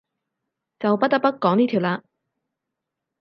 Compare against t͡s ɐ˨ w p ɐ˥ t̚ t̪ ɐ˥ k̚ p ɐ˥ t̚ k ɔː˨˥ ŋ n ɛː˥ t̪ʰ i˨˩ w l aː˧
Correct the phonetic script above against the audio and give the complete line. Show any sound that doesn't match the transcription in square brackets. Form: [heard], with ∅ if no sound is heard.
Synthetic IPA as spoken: t͡s ɐ˨ w p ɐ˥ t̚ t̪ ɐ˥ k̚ p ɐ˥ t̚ k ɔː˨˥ ŋ n [iː˥] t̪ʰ i˨˩ w l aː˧